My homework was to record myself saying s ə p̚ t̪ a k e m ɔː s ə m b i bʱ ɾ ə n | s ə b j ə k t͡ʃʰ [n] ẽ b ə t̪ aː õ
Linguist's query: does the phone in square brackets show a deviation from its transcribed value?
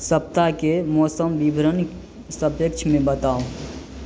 yes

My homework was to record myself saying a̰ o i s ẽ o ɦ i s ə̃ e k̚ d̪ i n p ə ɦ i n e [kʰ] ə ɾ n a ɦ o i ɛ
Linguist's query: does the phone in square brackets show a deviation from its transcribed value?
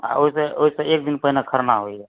no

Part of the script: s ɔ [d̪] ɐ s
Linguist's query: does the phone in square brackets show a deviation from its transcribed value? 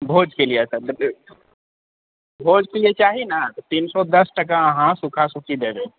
no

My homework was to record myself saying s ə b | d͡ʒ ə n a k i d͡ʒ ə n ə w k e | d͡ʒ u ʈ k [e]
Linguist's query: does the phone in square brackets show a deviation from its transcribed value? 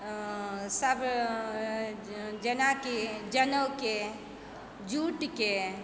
no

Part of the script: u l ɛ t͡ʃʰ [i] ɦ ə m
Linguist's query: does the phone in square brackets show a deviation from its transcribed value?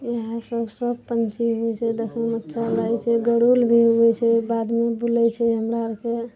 yes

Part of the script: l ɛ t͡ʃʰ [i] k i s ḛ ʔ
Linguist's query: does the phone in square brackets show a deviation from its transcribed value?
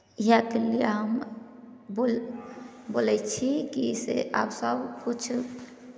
no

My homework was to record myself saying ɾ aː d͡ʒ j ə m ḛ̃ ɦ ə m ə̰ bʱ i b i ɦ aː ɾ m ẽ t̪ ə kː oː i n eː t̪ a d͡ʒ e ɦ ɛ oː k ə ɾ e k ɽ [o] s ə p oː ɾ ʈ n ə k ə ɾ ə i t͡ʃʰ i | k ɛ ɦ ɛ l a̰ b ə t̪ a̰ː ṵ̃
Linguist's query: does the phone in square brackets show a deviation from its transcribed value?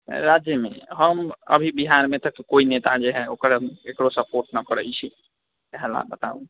no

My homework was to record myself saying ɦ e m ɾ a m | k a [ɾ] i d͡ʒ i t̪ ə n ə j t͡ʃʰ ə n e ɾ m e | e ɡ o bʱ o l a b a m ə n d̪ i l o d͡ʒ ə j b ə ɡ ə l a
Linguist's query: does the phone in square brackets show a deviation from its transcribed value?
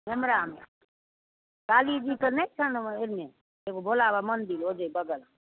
yes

